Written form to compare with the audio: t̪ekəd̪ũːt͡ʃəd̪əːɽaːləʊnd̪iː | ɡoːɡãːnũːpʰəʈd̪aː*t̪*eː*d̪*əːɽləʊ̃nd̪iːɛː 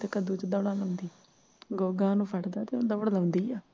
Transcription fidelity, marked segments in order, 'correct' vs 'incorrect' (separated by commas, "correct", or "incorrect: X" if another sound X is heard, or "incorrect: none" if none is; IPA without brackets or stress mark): correct, correct